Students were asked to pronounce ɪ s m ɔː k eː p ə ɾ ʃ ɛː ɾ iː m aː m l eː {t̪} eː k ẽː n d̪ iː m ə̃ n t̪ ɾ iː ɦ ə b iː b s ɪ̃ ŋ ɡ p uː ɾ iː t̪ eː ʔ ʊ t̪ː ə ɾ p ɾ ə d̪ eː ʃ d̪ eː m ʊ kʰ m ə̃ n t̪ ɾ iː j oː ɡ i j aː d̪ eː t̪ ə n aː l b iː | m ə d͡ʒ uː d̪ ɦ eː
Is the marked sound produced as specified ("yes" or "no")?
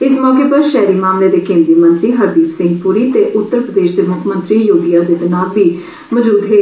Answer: no